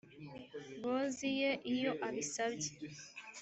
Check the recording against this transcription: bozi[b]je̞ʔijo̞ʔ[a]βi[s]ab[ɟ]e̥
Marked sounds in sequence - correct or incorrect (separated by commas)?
incorrect, correct, correct, correct